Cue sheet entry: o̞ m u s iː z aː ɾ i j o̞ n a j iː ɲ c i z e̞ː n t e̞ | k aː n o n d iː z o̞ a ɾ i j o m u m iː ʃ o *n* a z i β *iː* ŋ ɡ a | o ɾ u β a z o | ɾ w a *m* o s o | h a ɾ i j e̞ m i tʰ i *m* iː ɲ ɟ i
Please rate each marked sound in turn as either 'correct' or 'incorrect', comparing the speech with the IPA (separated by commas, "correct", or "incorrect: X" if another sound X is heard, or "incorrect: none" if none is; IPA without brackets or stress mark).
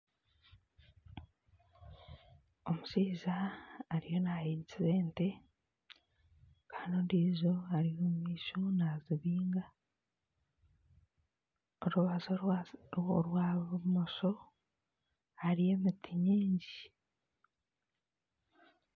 correct, correct, correct, incorrect: ɲ